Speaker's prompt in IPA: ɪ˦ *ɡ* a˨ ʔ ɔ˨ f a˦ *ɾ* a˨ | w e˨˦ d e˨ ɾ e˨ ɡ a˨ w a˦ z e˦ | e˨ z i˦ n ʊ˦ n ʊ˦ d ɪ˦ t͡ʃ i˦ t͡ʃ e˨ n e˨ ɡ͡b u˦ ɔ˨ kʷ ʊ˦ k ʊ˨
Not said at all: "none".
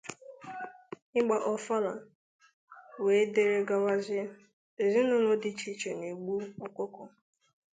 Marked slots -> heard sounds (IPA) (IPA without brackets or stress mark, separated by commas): ɡ͡b, l